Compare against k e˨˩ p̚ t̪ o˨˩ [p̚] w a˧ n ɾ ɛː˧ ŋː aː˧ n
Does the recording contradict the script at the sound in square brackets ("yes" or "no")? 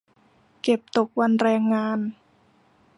yes